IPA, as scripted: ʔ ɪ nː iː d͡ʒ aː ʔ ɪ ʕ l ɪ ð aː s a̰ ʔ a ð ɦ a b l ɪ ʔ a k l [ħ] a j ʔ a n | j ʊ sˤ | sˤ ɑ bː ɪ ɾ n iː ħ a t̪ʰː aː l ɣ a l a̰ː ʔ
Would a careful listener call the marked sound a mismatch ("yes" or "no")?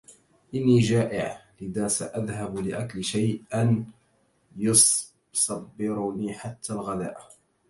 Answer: yes